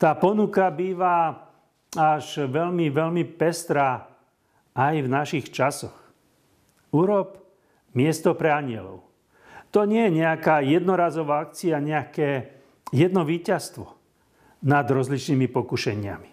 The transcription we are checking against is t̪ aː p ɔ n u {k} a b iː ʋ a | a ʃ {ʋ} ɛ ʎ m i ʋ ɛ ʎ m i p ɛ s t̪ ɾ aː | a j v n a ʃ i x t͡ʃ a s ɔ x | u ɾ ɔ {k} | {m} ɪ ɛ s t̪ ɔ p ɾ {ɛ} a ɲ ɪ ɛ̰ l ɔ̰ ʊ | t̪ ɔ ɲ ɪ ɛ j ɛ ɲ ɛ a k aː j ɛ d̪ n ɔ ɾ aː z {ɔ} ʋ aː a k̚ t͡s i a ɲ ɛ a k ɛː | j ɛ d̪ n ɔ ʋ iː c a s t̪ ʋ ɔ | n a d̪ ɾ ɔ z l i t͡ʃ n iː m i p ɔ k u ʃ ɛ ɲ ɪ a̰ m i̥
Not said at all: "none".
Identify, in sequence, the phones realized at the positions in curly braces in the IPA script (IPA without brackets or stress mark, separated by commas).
k, ʋ, p, m, ɛ, ɔ